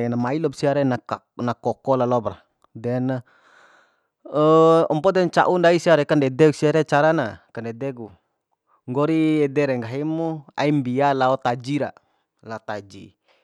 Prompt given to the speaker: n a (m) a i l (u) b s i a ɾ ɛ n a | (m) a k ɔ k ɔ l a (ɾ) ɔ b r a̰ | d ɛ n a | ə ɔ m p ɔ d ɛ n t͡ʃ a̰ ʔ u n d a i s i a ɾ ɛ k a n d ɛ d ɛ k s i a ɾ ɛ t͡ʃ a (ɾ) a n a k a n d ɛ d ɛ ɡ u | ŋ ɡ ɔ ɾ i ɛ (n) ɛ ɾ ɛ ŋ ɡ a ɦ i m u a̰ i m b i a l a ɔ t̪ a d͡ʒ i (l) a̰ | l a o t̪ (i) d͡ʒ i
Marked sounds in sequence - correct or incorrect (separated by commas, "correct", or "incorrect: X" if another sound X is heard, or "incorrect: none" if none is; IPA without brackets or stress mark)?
correct, incorrect: ɔ, incorrect: n, incorrect: l, correct, incorrect: d, incorrect: ɾ, incorrect: a